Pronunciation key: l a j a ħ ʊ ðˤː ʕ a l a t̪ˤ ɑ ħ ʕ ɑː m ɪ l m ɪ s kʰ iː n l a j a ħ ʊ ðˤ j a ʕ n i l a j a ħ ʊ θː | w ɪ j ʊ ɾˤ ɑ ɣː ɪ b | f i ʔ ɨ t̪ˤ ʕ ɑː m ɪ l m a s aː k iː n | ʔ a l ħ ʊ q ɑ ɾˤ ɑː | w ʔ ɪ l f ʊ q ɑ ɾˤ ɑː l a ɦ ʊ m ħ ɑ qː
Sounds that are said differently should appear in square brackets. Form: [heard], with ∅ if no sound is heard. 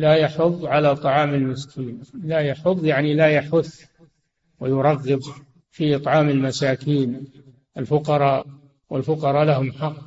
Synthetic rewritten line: l a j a ħ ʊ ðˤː ʕ a l a t̪ˤ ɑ [∅] ʕ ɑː m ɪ l m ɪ s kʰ iː n l a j a ħ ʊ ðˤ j a ʕ n i l a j a ħ ʊ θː | w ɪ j ʊ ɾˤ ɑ ɣː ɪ b | f i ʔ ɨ t̪ˤ ʕ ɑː m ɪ l m a s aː k iː n | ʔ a l [f] ʊ q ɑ ɾˤ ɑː | w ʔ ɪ l f ʊ q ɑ ɾˤ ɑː l a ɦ ʊ m ħ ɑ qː